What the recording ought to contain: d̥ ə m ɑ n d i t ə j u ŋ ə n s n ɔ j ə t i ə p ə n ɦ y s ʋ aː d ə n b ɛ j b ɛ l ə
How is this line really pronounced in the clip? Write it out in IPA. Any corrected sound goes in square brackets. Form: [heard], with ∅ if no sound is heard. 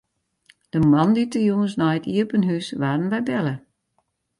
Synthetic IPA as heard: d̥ ə m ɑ n d i t ə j u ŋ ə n s n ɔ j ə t i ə p ə n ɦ y s ʋ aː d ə n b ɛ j b ɛ l ə